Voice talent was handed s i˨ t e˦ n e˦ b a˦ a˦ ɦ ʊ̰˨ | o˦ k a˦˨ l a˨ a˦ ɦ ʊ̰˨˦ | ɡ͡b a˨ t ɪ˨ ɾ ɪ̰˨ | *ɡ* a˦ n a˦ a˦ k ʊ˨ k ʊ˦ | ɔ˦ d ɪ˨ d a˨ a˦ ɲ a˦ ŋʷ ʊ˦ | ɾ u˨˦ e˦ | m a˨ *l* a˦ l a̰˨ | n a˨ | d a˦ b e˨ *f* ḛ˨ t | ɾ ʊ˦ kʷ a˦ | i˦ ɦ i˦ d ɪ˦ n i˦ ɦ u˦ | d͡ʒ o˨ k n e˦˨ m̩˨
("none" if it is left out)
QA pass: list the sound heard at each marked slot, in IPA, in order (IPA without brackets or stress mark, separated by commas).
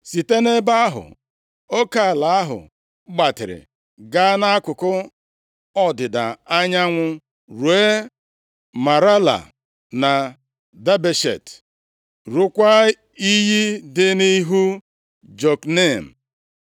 ɡ, ɾ, ʃ